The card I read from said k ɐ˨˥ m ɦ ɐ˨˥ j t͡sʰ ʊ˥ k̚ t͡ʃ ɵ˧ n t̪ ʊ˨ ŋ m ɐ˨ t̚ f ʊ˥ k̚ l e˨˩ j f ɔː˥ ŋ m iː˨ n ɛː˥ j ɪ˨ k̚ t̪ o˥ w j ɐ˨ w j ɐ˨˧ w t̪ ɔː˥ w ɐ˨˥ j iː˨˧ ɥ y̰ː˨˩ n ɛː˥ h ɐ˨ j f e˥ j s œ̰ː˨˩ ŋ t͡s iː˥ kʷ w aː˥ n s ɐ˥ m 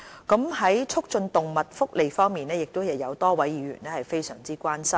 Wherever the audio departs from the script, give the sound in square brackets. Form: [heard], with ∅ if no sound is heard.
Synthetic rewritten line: k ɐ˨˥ m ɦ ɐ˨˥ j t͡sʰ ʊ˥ k̚ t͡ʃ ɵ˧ n t̪ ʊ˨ ŋ m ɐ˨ t̚ f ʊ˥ k̚ l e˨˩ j f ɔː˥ ŋ m iː˨ n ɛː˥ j ɪ˨ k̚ t̪ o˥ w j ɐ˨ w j ɐ˨˧ w t̪ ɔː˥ w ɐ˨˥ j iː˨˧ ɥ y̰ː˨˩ n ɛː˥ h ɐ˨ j f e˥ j s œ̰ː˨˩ ŋ t͡s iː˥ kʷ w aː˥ n s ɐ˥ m